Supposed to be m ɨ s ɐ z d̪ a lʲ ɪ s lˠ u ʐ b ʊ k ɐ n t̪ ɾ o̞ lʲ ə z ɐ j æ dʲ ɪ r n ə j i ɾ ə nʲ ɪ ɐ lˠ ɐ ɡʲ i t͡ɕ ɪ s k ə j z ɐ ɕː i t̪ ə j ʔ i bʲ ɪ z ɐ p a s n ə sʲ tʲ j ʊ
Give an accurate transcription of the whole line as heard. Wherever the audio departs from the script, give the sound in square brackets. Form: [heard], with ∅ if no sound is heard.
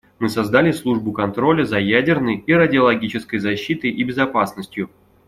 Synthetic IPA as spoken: m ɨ s ɐ z d̪ a lʲ ɪ s lˠ u ʐ b ʊ k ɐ n t̪ ɾ o̞ lʲ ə z ɐ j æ dʲ ɪ r n ə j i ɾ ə [dʲ] ɪ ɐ lˠ ɐ ɡʲ i t͡ɕ ɪ s k ə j z ɐ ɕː i t̪ ə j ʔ i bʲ ɪ z ɐ p a s n ə sʲ tʲ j ʊ